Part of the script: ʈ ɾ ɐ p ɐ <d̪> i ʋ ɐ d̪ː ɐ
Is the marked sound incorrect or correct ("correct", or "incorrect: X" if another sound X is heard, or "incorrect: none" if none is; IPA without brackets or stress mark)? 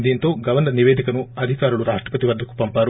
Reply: incorrect: t̪